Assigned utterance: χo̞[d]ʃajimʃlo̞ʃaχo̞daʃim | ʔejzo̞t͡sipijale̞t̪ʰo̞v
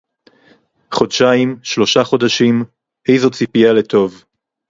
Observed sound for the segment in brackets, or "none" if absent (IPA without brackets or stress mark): d